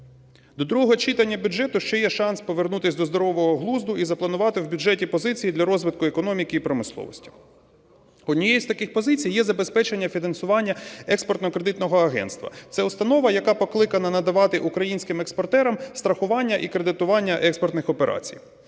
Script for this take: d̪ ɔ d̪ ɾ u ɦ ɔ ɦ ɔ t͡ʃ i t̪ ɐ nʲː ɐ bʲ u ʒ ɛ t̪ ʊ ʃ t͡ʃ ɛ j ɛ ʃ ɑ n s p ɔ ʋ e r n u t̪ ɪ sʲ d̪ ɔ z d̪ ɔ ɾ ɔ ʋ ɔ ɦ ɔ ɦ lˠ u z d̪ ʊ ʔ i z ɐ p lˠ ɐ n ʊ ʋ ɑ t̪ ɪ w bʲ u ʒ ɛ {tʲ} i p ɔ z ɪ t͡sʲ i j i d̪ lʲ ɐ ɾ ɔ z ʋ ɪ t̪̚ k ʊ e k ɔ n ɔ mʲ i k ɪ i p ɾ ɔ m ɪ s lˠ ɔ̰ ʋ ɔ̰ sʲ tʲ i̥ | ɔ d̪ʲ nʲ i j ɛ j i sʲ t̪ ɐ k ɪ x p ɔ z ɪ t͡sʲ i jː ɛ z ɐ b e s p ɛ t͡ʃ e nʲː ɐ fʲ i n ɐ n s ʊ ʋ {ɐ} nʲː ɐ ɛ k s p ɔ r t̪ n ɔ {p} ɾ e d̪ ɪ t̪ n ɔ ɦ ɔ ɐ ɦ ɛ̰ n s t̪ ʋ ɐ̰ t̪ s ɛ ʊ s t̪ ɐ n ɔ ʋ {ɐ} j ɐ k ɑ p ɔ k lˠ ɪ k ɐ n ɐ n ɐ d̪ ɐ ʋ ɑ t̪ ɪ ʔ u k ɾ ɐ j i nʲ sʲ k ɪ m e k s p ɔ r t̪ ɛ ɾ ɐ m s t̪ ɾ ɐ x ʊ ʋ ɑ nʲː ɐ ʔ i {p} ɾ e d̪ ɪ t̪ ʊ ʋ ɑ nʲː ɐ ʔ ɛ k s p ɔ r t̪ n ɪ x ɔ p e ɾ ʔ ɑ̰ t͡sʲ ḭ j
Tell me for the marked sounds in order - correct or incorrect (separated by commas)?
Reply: correct, incorrect, incorrect, correct, incorrect